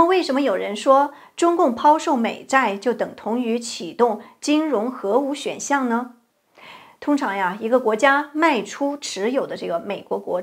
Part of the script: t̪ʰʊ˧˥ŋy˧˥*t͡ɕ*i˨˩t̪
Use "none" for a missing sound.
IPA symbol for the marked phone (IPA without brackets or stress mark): t͡ɕʰ